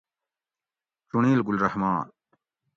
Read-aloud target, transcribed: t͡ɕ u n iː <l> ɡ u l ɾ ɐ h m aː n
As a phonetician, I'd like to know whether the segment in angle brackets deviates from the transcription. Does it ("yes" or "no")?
no